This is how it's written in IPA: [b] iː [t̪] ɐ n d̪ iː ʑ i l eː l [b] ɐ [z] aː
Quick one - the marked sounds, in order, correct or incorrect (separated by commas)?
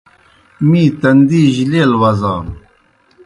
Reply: incorrect, correct, incorrect, correct